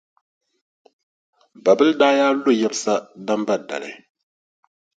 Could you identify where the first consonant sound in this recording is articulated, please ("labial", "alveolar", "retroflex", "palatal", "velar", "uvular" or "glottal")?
labial